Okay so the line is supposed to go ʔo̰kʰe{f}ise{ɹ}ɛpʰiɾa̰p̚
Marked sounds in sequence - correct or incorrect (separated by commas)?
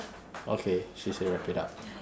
incorrect, correct